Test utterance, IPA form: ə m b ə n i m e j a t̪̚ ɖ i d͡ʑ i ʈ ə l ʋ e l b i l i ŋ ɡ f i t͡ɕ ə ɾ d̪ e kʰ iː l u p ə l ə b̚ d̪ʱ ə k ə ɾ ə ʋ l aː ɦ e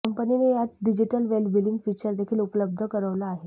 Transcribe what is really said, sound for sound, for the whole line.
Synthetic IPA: ə m p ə n i n e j a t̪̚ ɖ i d͡ʑ i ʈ ə l ʋ e l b i l i ŋ ɡ f i t͡ɕ ə ɾ d̪ e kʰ iː l u p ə l ə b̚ d̪ʱ ə k ə ɾ ə ʋ l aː ɦ e